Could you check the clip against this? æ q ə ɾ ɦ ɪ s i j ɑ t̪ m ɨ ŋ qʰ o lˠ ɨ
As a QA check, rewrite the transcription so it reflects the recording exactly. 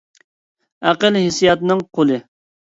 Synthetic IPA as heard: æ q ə l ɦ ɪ s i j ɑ t̪ n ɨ ŋ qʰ o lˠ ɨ

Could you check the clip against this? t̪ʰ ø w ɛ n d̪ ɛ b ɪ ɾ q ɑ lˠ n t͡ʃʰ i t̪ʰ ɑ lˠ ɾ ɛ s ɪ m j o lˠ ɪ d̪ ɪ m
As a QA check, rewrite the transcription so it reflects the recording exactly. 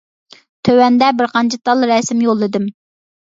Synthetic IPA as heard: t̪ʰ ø w ɛ n d̪ ɛ b ɪ ɾ q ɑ n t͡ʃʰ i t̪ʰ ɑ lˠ ɾ ɛ s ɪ m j o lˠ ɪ d̪ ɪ m

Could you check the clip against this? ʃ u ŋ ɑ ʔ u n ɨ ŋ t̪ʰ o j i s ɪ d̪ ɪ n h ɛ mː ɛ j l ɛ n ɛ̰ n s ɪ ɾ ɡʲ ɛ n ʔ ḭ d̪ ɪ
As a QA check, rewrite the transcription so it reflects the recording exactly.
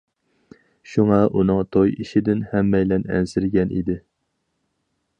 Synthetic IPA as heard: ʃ u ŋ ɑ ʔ u n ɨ ŋ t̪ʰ o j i ʃ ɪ d̪ ɪ n h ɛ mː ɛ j l ɛ n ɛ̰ n s ɪ ɾ ɡʲ ɛ n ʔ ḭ d̪ ɪ

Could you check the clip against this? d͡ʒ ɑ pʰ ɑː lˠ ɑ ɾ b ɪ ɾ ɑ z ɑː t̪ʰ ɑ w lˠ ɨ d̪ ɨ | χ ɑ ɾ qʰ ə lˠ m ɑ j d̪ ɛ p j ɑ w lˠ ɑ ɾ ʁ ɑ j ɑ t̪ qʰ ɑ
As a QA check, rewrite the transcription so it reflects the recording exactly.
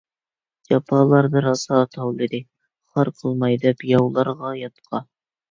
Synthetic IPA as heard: d͡ʒ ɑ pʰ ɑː lˠ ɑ ɾ b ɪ ɾ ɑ s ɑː t̪ʰ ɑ w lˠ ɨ d̪ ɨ | χ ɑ ɾ qʰ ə lˠ m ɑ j d̪ ɛ p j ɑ w lˠ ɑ ɾ ʁ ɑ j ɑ t̪ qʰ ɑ

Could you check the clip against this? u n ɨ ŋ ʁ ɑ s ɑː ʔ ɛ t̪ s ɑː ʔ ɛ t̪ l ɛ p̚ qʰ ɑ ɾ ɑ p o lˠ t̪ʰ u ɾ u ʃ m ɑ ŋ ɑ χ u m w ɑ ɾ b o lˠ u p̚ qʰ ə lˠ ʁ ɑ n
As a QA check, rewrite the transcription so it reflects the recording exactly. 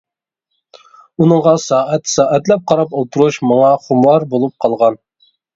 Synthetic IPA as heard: u n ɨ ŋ ʁ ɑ s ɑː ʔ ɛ t̪ s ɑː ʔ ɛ t̪ l ɛ p̚ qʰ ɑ ɾ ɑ p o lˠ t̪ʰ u ɾ u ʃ m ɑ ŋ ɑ χ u m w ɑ ɾ b o lˠ u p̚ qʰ ɑ lˠ ʁ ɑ n

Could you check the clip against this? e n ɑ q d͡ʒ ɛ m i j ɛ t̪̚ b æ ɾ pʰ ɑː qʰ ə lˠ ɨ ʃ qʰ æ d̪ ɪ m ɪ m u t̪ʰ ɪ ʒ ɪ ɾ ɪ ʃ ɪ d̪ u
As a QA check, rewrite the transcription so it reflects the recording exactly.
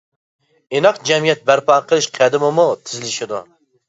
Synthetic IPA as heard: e n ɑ q d͡ʒ ɛ m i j ɛ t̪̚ b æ ɾ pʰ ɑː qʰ ə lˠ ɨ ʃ qʰ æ d̪ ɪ m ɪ m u t̪ʰ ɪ z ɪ l ɪ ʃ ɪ d̪ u

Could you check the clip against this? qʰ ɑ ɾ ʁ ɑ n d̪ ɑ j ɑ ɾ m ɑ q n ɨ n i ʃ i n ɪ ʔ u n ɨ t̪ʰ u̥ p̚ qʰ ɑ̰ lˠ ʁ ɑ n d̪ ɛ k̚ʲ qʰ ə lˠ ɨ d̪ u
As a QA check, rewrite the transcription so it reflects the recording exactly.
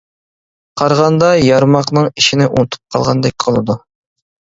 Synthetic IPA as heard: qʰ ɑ ɾ ʁ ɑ n d̪ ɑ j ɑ ɾ m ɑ q n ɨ ŋ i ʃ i n ɪ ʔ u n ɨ t̪ʰ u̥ p̚ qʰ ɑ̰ lˠ ʁ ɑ n d̪ ɛ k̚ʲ qʰ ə lˠ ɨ d̪ u

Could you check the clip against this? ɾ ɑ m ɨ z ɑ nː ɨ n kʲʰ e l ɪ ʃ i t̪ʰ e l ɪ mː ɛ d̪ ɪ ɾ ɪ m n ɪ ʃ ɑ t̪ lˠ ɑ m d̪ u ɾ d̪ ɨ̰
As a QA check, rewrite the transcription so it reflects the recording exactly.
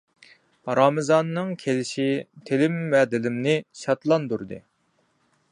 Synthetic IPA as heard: ɾ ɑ m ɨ z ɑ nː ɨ ŋ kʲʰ e l ɪ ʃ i t̪ʰ e l ɪ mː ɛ d̪ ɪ l ɪ m n ɪ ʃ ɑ t̪ lˠ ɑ n d̪ u ɾ d̪ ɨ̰

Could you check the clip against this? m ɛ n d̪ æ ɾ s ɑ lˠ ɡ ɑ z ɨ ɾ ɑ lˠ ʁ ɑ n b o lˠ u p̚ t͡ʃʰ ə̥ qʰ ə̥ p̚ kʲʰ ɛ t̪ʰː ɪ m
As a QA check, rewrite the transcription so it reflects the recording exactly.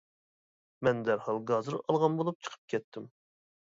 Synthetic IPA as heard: m ɛ n d̪ æ ɾ h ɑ lˠ ɡ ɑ z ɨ ɾ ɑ lˠ ʁ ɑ n b o lˠ u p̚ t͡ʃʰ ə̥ qʰ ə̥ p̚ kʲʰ ɛ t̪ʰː ɪ m

